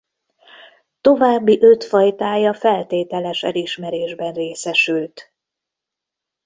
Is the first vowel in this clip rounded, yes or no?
yes